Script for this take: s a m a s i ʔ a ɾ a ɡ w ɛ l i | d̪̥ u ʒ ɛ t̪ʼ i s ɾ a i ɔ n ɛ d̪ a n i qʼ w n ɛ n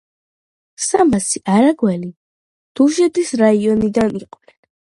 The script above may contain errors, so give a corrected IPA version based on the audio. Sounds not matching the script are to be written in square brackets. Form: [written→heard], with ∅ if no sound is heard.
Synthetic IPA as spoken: s a m a s i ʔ a ɾ a ɡ w ɛ l i | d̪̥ u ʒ ɛ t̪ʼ i s ɾ a i ɔ n [ɛ→i] d̪ a n i qʼ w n ɛ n